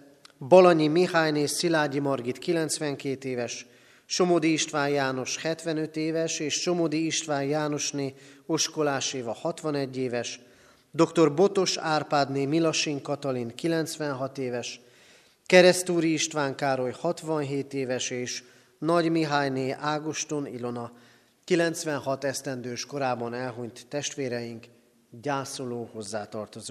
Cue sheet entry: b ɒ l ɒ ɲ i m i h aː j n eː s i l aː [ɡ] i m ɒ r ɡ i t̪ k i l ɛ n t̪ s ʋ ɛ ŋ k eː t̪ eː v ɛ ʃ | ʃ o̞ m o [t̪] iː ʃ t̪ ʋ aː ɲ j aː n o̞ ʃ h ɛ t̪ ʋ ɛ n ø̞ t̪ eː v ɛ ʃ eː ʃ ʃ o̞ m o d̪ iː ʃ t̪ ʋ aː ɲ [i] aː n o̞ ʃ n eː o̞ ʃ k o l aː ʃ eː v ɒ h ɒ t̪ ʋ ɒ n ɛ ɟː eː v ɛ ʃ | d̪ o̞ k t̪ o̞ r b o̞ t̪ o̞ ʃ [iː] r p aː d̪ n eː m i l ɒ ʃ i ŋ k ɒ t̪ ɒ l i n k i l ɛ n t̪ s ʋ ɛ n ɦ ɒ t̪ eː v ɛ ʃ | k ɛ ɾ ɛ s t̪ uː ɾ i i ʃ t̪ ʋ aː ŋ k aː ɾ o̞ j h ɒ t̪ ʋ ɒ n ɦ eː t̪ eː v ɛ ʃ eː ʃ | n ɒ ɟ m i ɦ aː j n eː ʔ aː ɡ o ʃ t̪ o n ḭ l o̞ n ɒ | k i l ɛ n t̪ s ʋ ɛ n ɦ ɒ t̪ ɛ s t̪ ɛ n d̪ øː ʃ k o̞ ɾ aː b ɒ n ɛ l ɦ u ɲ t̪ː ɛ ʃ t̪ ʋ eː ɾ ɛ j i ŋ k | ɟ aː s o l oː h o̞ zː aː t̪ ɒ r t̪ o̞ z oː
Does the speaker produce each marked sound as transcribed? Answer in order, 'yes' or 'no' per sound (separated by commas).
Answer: no, no, no, no